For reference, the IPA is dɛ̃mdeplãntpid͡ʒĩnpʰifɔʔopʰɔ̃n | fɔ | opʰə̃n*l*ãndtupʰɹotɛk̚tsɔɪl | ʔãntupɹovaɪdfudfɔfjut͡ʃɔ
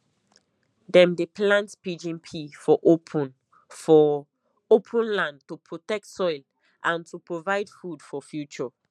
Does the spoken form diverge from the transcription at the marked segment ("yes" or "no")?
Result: no